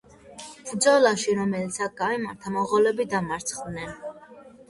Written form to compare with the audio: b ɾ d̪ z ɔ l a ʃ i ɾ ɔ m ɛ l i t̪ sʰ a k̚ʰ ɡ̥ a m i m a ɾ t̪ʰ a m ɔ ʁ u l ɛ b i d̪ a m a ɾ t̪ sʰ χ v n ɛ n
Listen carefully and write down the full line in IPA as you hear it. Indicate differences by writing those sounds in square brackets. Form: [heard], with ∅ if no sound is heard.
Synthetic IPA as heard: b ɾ d̪ z ɔ l a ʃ i ɾ ɔ m ɛ l i t̪ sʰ a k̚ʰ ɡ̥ a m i m a ɾ t̪ʰ a m ɔ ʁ [ɔ] l ɛ b i d̪ a m a ɾ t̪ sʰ χ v n ɛ n